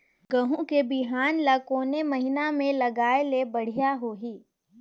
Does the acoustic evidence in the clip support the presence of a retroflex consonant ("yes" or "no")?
yes